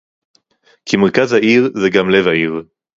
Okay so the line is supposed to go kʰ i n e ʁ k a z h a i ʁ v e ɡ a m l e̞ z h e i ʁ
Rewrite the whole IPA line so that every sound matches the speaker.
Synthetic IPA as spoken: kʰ i m e ʁ k a z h a i ʁ z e ɡ a m l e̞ v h a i ʁ

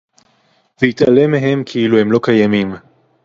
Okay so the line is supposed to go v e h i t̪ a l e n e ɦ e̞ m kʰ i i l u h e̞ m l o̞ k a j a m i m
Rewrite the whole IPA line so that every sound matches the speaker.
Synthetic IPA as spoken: v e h i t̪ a l e m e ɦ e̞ m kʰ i i l u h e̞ m l o̞ k a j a m i m

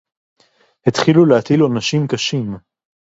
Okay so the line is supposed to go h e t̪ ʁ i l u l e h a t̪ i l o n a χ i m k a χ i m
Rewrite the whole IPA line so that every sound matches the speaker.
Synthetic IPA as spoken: h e t̪ χ i l u l e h a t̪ i l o n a ʃ i m k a ʃ i m

